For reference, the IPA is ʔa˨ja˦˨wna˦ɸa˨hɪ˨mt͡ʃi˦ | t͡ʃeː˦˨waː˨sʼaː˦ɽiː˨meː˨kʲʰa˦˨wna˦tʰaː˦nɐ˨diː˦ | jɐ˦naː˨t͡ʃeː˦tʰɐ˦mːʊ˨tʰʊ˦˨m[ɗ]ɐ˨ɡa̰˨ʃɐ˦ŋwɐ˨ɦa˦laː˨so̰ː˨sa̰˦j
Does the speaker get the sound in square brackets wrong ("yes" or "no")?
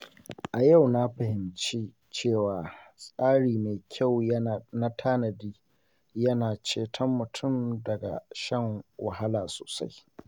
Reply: yes